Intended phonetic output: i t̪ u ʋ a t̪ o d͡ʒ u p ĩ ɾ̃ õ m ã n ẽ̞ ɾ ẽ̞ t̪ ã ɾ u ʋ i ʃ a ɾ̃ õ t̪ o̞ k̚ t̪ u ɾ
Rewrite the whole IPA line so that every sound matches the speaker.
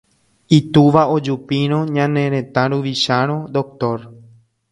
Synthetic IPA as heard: i t̪ u ʋ a o d͡ʒ u p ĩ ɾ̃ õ ɲ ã n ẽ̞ ɾ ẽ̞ t̪ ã ɾ u ʋ i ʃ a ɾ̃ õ d̪ o̞ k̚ t̪ o ɾ